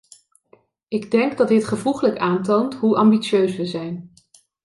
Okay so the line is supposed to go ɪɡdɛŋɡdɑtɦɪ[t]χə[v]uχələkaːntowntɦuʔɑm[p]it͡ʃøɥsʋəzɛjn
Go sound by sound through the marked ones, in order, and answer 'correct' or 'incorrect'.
correct, correct, incorrect: b

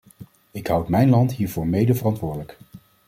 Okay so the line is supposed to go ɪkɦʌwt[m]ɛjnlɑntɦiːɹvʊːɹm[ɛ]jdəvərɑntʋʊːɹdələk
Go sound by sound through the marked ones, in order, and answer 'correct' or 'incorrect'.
correct, incorrect: e

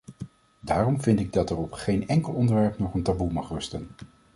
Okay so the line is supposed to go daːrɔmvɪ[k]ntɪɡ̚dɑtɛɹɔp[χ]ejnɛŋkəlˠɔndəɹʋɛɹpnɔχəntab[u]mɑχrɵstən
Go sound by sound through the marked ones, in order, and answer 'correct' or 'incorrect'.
incorrect: none, correct, correct

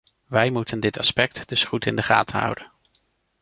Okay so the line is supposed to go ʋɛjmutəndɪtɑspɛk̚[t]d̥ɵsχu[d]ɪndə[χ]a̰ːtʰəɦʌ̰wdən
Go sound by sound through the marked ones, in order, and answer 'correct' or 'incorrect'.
correct, incorrect: t, correct

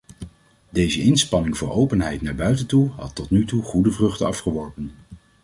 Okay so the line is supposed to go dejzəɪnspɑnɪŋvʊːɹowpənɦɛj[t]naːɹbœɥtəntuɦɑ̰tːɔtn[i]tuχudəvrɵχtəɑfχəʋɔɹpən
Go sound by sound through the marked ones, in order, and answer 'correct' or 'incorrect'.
correct, incorrect: y

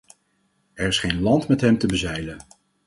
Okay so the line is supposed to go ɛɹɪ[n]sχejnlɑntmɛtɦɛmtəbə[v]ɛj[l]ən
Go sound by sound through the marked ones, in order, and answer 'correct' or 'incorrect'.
incorrect: none, incorrect: z, correct

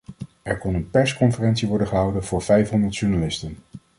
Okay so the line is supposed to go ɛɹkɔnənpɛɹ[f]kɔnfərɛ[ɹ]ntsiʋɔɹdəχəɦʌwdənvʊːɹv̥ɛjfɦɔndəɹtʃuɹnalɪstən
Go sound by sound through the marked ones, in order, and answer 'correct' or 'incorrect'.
incorrect: s, incorrect: none

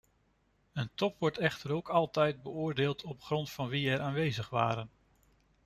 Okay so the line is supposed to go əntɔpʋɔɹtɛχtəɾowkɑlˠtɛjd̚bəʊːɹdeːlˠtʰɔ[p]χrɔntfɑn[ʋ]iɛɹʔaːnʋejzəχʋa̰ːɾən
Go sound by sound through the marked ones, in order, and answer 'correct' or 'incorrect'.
correct, correct

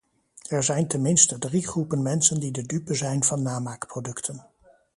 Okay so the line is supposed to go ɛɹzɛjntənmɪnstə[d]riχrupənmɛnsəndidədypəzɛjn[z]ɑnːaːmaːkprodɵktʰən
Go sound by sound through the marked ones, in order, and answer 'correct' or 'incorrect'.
correct, incorrect: v

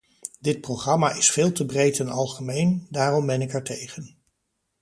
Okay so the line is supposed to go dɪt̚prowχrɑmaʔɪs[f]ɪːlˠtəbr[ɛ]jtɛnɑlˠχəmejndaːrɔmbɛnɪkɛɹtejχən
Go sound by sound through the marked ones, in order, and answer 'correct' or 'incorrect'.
correct, incorrect: e

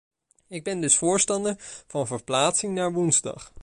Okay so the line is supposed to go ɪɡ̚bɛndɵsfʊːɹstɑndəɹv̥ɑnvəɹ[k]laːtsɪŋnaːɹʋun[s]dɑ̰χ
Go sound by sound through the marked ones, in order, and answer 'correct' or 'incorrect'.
incorrect: p, incorrect: z

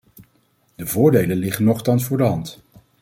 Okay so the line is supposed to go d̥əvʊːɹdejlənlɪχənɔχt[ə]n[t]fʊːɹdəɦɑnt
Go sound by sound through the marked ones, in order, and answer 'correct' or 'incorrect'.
incorrect: ɑ, incorrect: s

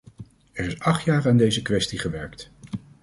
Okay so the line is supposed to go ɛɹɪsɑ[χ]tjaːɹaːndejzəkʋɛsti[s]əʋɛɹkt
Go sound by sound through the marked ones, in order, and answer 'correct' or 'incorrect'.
correct, incorrect: χ

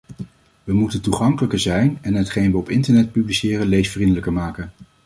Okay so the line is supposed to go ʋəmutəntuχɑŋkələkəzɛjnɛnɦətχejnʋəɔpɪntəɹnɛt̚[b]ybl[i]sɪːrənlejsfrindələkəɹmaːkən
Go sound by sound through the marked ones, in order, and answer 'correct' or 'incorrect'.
incorrect: p, correct

